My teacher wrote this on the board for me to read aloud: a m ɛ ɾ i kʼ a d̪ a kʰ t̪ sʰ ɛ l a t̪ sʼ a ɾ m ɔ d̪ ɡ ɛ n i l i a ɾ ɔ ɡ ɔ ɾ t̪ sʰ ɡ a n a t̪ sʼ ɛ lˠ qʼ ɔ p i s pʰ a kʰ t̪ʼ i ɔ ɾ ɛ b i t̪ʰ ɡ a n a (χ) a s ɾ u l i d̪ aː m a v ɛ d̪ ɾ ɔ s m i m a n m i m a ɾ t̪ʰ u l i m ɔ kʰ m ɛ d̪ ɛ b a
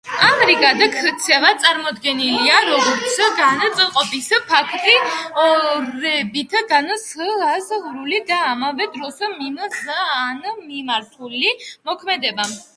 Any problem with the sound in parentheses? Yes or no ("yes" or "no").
yes